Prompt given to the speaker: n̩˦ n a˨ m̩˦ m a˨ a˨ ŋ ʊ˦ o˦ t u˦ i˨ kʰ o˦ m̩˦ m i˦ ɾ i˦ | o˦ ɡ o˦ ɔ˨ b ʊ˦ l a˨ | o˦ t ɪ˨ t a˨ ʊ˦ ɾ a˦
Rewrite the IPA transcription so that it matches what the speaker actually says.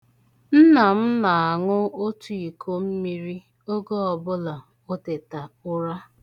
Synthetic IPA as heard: n̩˦ n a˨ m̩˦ n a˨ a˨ ŋ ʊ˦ o˦ t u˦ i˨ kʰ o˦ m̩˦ m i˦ ɾ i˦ | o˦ ɡ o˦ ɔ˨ b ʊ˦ l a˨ | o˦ t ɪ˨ t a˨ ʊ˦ ɾ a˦